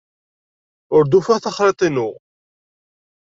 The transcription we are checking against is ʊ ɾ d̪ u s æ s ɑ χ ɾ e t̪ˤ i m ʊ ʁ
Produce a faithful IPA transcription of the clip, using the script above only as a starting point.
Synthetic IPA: ʊ ɾ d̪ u f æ θ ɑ χ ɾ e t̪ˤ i n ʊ ʁ